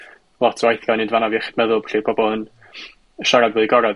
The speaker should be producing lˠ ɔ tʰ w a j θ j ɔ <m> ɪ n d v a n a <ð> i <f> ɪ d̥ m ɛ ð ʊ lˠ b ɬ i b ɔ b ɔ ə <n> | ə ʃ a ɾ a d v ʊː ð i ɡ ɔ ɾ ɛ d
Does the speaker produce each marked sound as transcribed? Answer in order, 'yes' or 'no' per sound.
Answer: no, no, no, yes

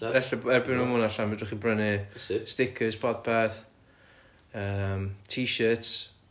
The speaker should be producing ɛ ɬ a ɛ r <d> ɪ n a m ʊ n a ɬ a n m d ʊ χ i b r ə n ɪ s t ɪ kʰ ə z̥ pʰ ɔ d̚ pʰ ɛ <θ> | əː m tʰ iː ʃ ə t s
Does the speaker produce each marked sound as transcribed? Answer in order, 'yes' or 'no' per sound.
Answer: no, yes

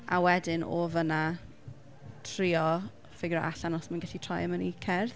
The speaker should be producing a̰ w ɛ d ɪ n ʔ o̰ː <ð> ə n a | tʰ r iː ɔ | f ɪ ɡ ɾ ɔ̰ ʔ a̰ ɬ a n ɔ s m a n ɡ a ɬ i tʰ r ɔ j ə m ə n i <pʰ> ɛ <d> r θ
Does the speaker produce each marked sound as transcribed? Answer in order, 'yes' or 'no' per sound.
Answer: no, no, no

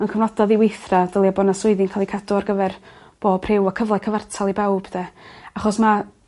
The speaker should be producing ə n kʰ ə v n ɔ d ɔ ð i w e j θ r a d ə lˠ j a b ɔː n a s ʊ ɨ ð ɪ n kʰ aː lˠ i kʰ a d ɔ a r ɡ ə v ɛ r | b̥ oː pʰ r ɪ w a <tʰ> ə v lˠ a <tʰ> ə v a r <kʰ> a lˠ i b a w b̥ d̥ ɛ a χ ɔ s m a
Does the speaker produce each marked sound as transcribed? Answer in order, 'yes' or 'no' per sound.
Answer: no, no, no

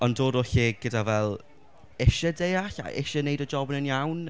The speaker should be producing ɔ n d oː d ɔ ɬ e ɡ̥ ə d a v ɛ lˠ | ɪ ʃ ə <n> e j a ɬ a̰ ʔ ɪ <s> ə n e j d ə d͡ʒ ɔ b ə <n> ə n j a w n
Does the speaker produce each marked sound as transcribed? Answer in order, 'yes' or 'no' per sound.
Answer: no, no, yes

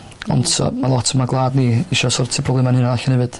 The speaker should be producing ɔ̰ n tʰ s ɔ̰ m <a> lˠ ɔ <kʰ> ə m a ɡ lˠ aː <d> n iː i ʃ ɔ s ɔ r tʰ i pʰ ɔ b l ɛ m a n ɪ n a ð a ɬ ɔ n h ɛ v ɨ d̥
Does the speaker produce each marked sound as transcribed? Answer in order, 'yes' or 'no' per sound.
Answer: yes, no, yes

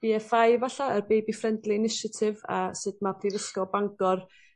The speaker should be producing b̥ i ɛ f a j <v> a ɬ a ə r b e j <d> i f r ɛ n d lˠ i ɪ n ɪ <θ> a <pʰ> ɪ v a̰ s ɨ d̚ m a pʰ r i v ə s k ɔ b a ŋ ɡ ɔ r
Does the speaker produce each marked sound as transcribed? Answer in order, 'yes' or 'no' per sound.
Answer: yes, no, no, no

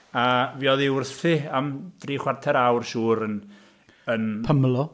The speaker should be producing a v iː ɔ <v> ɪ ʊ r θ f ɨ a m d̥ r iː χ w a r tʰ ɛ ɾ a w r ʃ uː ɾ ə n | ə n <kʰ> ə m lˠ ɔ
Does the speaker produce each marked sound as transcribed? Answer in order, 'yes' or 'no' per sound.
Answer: no, no

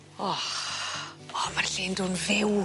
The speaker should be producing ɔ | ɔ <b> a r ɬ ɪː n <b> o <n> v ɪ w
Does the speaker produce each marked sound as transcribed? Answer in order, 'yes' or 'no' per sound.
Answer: no, no, yes

